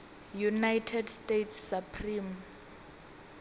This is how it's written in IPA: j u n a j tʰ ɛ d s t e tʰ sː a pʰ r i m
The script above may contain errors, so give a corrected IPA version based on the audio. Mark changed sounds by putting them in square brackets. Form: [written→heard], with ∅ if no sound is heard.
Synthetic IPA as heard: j u n a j tʰ ɛ d s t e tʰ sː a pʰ r i m